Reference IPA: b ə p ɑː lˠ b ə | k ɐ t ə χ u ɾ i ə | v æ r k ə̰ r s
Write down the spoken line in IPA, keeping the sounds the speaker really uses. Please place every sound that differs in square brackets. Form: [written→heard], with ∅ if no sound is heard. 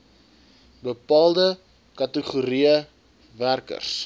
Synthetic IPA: b ə p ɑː lˠ [b→d] ə | k ɐ t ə χ u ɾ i ə | v æ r k ə̰ r s